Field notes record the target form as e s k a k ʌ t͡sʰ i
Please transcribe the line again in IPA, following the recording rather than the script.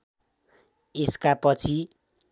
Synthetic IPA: e s k a p ʌ t͡sʰ i